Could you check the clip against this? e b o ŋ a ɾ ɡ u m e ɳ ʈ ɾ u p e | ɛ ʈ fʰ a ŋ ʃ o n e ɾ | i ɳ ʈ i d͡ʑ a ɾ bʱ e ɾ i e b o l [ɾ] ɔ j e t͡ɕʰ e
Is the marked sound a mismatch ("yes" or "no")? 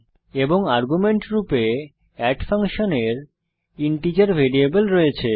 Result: no